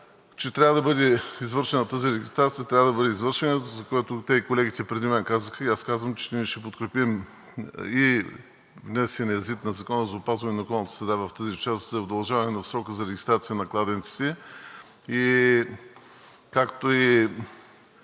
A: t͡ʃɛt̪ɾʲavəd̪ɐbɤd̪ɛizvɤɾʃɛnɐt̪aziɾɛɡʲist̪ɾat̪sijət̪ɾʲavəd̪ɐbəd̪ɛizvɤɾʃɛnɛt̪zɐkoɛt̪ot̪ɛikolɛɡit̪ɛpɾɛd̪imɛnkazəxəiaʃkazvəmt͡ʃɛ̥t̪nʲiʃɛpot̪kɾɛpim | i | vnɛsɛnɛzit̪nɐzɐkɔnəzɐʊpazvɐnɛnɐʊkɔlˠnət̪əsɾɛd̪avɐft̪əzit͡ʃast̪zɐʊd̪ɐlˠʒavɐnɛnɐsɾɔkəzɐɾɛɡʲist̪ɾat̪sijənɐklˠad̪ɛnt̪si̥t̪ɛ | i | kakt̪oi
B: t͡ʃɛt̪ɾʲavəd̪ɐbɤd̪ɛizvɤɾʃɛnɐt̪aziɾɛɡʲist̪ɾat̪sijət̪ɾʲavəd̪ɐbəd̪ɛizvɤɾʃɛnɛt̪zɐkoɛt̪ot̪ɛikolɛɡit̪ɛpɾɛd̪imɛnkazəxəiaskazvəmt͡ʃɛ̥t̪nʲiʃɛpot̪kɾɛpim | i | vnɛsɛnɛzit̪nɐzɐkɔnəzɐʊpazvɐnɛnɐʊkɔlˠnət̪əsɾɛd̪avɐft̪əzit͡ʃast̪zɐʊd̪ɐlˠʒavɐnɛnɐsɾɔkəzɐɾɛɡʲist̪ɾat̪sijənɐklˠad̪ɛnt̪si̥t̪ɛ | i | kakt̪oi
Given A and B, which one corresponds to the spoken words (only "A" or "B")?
B